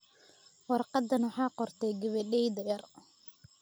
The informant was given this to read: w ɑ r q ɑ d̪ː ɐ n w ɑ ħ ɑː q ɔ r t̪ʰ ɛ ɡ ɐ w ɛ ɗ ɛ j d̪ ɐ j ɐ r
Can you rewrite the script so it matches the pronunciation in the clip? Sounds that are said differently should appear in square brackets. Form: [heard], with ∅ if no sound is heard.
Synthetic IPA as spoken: w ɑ r q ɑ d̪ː ɐ n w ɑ ħ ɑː q ɔ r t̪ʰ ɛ ɡ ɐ [β] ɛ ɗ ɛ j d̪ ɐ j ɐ r